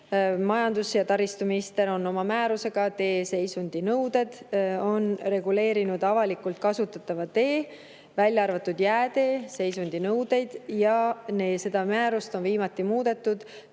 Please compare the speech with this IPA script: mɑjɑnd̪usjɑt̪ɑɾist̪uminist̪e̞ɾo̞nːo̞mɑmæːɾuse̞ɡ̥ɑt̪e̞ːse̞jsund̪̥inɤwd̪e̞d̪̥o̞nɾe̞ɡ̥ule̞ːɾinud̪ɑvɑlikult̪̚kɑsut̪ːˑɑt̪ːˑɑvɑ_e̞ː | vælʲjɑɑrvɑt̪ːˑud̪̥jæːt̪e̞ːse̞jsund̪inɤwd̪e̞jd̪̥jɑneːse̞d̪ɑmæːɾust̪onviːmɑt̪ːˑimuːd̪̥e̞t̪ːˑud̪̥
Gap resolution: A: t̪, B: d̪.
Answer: A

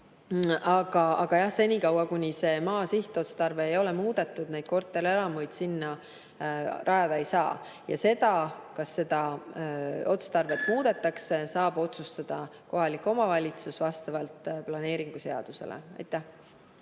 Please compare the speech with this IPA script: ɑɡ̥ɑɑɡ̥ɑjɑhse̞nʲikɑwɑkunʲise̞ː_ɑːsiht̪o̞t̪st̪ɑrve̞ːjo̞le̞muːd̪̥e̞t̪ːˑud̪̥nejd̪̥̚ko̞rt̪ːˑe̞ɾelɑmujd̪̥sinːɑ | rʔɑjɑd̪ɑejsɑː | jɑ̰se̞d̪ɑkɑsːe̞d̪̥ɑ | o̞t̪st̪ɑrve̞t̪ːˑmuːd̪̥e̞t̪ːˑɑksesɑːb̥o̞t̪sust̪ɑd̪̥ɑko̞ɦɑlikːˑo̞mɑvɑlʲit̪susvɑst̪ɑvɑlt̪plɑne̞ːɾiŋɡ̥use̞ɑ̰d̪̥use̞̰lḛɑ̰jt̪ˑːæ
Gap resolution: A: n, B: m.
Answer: B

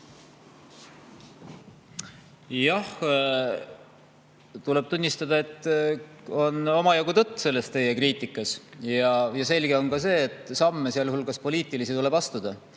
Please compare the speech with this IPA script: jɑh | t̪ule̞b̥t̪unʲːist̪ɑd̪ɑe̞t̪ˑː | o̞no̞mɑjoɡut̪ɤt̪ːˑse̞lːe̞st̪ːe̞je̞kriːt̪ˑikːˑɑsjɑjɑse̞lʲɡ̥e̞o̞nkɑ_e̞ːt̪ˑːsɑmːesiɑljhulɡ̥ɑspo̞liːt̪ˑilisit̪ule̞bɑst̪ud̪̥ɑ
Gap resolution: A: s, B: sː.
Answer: A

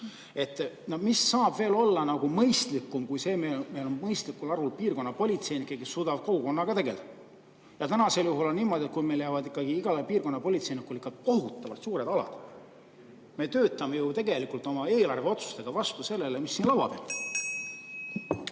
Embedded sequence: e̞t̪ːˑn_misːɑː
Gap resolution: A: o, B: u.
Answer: A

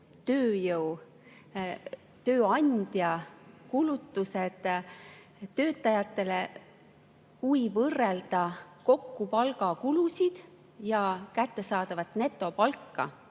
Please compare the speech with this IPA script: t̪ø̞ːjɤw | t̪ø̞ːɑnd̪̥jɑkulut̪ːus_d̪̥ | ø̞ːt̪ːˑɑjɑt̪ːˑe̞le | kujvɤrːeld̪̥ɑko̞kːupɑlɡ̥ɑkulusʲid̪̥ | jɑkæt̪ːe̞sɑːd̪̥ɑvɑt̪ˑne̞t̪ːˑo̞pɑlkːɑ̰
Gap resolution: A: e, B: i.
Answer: A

